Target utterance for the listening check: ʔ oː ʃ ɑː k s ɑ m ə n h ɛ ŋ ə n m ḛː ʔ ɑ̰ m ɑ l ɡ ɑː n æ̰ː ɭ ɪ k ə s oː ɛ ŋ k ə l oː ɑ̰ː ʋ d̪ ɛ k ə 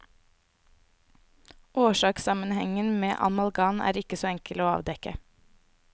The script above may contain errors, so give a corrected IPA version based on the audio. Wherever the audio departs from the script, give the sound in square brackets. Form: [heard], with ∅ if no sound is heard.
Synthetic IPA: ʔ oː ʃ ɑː k s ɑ m ə n h ɛ ŋ ə n m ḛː ʔ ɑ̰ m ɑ l ɡ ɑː n æ̰ː [ɾ] ɪ k ə s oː ɛ ŋ k ə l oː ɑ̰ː ʋ d̪ ɛ k ə